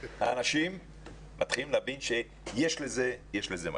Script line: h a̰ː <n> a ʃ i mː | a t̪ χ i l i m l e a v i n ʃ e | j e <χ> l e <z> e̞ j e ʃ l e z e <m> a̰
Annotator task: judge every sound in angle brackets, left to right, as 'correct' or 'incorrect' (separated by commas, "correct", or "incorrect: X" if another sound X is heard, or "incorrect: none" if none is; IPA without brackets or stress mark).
correct, incorrect: ʃ, correct, correct